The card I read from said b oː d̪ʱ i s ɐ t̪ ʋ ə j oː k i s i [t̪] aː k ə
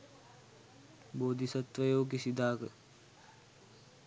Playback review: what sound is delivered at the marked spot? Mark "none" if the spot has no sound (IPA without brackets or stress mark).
d̪